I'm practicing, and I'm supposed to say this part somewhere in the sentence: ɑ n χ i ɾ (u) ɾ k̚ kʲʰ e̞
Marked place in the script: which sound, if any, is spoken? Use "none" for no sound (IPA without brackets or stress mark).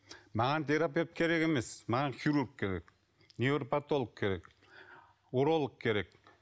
u